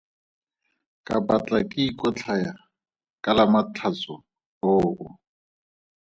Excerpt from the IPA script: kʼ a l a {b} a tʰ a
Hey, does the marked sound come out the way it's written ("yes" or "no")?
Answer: no